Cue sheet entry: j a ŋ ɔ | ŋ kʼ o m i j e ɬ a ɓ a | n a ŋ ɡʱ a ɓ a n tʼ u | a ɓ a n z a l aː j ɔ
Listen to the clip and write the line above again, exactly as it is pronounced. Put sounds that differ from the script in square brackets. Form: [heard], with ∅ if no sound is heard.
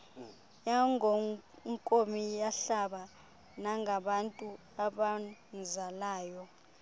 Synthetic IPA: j a ŋ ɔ | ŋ kʼ o m i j [a] ɬ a ɓ a | n a ŋ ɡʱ a ɓ a n tʼ u | a ɓ a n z a l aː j ɔ